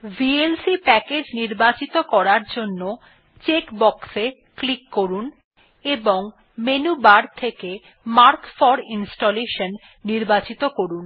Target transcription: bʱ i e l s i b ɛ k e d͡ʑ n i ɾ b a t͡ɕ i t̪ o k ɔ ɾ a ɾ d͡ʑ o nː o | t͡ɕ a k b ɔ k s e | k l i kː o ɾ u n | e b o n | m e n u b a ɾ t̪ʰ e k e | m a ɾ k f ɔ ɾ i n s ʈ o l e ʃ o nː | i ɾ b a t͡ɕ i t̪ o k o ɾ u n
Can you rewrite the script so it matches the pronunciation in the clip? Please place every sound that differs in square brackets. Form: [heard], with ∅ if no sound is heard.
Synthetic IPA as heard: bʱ i e l s i [p] ɛ k e d͡ʑ n i ɾ b a t͡ɕ i t̪ o k ɔ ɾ a ɾ d͡ʑ o nː o | t͡ɕ [e] k b ɔ k s e | k l i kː o ɾ u n | e b o [ŋ] | m e n u b a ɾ t̪ʰ e k e | m a ɾ k f ɔ ɾ i n s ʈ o l e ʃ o nː | i ɾ b a t͡ɕ i t̪ o k o ɾ u n